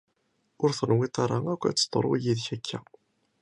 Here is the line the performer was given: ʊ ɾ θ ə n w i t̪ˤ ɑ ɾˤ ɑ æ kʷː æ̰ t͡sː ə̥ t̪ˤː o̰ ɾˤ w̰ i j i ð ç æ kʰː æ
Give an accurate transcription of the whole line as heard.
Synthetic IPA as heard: ʊ ɾ θ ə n w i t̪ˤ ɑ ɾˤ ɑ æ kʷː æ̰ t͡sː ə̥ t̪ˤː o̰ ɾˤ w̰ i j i ð ç æ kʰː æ